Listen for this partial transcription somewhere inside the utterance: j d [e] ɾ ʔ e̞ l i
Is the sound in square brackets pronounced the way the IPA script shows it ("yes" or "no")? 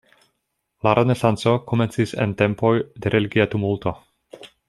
yes